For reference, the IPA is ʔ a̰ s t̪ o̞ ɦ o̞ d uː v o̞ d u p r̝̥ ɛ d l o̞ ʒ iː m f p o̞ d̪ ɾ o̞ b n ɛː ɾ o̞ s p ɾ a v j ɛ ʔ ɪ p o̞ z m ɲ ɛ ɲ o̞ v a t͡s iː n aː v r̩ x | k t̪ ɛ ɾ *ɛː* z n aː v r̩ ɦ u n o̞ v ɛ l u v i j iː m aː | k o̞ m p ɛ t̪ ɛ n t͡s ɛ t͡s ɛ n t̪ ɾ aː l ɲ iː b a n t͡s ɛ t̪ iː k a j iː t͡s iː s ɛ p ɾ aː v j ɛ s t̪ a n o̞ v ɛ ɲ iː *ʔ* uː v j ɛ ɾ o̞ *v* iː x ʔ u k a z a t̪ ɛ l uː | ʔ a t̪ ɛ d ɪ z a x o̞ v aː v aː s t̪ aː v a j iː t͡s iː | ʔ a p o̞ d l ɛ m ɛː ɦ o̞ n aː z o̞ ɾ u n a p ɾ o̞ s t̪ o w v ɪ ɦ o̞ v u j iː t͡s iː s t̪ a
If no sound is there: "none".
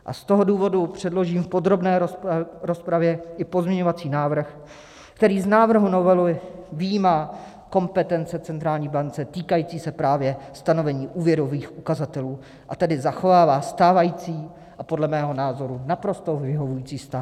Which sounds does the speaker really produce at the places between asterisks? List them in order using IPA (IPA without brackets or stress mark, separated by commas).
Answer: iː, ʔ, v